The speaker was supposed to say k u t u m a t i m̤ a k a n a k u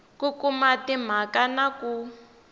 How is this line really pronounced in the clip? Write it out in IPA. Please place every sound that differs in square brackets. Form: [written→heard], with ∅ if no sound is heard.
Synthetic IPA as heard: k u [t→k] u m a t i m̤ a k a n a k u